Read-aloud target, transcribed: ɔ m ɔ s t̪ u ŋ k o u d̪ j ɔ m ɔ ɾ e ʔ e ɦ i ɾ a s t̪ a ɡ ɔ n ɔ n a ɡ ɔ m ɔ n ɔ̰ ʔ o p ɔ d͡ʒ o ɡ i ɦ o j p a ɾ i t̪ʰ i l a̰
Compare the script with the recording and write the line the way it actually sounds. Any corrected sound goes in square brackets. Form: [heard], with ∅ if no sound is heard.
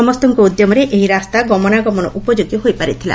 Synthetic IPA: ɔ m ɔ s t̪ [ɔ] ŋ k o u d̪ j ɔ m ɔ ɾ e ʔ e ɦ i ɾ a s t̪ a ɡ ɔ [m] ɔ n a ɡ ɔ m ɔ n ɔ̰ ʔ [u] p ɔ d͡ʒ o ɡ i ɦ o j p a ɾ i t̪ʰ i l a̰

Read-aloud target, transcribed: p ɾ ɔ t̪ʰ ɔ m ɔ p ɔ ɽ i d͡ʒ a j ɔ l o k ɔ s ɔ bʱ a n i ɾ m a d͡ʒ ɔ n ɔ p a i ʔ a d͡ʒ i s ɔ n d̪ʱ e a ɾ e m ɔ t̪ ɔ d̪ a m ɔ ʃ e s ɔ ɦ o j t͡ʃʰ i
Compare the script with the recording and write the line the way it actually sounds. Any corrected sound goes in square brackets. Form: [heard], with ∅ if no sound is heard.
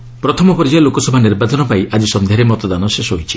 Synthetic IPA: p ɾ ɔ t̪ʰ ɔ m ɔ p ɔ [ɾ] i d͡ʒ a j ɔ l o k ɔ s ɔ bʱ a n i ɾ [b] a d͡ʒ ɔ n ɔ p a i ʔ a d͡ʒ i s ɔ n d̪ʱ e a ɾ e m ɔ t̪ ɔ d̪ a [n] ɔ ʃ e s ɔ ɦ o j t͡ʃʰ i

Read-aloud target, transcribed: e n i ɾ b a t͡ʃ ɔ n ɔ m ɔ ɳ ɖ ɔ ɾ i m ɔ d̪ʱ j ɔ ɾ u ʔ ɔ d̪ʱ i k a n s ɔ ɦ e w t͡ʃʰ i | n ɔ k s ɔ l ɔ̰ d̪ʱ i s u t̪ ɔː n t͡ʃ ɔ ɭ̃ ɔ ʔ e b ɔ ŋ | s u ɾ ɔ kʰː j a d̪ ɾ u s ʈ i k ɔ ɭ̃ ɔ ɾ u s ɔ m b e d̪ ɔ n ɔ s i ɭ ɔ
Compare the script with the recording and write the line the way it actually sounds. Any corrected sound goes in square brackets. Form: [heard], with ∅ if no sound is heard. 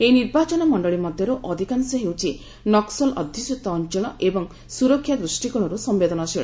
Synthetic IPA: e n i ɾ b a t͡ʃ ɔ n ɔ m ɔ ɳ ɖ ɔ [ɭ] i m ɔ d̪ʱ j ɔ ɾ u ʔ ɔ d̪ʱ i k a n s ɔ ɦ e w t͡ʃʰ i | n ɔ k s ɔ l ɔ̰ d̪ʱ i s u t̪ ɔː n t͡ʃ ɔ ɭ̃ ɔ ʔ e b ɔ ŋ | s u ɾ ɔ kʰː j a d̪ ɾ u s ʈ i k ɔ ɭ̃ ɔ ɾ u s ɔ m b e d̪ ɔ n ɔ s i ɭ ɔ

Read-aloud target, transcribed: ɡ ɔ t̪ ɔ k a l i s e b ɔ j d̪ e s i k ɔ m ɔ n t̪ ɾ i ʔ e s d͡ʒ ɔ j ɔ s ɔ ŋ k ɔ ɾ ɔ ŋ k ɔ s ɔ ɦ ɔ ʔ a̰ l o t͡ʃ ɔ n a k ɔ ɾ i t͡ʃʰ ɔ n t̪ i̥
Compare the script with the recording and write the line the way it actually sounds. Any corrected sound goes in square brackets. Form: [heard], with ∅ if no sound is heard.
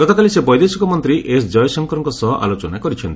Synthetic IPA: ɡ ɔ t̪ ɔ k a l i s e b ɔ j d̪ e s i k ɔ m ɔ n t̪ ɾ i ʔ e s d͡ʒ ɔ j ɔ s ɔ ŋ k ɔ ɾ ɔ ŋ k ɔ s ɔ ɦ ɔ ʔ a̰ l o t͡ʃ ɔ n a k ɔ ɾ i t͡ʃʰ ɔ n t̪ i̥

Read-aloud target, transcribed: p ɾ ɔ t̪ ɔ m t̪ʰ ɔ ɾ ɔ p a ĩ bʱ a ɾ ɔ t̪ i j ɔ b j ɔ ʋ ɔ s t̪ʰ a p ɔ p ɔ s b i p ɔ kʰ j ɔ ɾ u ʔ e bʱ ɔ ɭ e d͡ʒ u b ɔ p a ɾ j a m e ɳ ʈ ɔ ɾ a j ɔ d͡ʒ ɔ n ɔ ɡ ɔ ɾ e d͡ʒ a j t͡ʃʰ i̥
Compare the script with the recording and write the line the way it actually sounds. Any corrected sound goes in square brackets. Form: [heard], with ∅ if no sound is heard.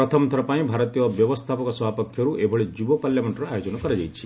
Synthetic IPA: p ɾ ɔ [t̪ʰ] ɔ m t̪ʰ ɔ ɾ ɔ p a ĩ bʱ a ɾ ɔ t̪ i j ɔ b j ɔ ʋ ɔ s t̪ʰ a p ɔ [k] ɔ s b [a] p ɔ kʰ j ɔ ɾ u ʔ e bʱ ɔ ɭ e d͡ʒ u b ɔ p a [l] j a m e ɳ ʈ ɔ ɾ a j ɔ d͡ʒ ɔ n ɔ [k] ɔ ɾ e d͡ʒ a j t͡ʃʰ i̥

